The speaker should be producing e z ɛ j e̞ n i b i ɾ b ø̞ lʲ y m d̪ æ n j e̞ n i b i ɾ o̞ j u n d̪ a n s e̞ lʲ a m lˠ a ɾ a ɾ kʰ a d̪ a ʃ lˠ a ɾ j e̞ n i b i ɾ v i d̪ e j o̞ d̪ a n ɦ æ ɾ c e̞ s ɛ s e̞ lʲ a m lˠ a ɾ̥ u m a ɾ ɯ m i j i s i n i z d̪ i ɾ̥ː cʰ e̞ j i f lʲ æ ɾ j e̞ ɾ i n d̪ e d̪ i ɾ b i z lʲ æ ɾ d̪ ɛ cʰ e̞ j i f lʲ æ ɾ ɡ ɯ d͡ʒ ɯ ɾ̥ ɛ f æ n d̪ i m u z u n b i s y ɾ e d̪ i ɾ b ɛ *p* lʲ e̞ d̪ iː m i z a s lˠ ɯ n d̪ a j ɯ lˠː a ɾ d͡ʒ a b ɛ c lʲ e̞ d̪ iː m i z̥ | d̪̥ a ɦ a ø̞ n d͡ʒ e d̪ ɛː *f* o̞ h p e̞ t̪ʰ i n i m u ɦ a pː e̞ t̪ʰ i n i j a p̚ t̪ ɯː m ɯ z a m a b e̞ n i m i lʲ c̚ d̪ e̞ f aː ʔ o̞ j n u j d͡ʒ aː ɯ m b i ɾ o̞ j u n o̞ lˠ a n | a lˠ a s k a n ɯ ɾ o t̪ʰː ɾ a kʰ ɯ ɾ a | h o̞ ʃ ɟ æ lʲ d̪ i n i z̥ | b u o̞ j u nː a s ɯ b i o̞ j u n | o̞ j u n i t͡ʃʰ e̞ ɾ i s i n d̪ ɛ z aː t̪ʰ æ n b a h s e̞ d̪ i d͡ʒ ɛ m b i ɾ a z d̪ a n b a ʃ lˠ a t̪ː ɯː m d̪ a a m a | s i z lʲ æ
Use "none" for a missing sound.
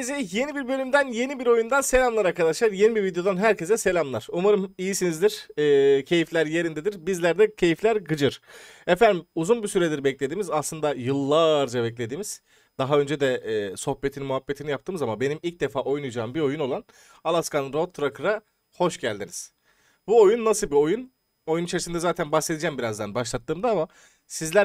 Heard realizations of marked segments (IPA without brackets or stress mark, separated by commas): c, s